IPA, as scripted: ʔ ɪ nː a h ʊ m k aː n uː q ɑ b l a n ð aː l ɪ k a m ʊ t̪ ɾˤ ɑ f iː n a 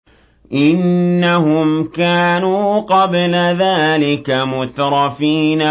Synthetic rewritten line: ʔ ɪ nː a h ʊ m k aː n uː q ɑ b l a ð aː l ɪ k a m ʊ t̪ ɾˤ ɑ f iː n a